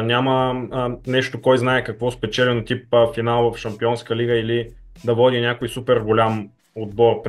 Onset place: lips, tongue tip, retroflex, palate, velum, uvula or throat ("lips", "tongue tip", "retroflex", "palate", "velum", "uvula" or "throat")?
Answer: tongue tip